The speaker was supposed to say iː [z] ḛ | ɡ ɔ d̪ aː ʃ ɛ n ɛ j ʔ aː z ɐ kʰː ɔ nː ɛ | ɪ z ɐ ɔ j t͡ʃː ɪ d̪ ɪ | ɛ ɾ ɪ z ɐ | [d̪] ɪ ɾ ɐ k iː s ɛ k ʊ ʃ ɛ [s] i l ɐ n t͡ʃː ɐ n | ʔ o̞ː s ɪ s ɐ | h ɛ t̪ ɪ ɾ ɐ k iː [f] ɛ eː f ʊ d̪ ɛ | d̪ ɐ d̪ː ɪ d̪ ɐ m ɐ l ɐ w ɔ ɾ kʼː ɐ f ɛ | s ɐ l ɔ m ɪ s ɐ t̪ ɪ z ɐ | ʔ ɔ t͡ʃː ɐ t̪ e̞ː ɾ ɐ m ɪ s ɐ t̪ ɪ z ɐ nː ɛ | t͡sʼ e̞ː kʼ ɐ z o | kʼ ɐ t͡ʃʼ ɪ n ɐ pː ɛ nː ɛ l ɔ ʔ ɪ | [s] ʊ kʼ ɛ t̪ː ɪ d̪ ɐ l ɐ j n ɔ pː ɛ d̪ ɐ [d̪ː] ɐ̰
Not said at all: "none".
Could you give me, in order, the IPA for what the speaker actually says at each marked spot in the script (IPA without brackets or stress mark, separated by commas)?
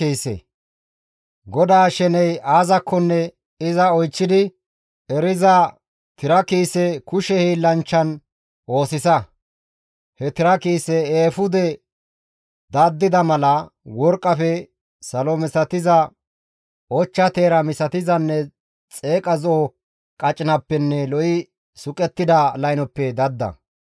s, t̪, h, s, s, d̪ː